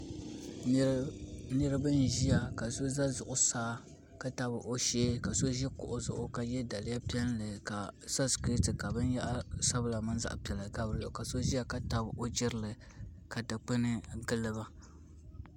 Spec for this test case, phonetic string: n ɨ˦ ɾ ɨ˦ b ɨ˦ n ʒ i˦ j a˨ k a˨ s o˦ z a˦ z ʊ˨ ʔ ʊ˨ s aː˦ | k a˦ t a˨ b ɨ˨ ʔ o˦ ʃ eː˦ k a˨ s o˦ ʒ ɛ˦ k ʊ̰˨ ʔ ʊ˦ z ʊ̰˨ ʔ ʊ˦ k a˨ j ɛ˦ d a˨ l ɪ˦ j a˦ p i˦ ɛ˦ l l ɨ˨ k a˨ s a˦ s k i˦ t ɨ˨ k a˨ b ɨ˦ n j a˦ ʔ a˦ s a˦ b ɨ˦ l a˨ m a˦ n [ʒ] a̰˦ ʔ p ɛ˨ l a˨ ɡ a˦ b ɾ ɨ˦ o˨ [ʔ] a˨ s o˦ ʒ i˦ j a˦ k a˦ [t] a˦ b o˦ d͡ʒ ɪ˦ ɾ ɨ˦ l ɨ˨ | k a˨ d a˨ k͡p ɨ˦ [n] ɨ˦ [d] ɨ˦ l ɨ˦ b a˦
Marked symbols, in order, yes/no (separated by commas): no, no, yes, yes, no